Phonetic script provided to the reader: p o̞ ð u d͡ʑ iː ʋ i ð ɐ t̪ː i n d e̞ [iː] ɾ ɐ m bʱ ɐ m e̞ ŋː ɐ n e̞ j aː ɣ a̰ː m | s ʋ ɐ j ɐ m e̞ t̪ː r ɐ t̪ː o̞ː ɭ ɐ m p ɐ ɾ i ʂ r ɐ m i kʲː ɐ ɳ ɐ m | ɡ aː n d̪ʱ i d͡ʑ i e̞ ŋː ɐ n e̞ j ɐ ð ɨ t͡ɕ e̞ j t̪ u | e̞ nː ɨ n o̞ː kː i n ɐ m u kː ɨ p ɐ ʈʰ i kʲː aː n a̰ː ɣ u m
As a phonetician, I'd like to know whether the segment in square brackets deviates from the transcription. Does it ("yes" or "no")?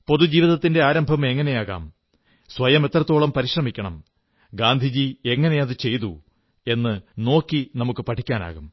yes